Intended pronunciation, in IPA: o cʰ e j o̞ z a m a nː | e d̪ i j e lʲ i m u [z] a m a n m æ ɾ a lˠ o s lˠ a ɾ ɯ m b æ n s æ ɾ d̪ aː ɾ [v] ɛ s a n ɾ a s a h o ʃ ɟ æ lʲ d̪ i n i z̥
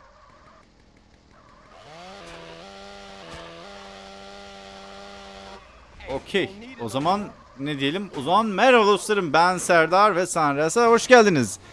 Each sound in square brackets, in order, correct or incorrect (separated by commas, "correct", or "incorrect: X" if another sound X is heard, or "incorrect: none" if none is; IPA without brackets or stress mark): correct, correct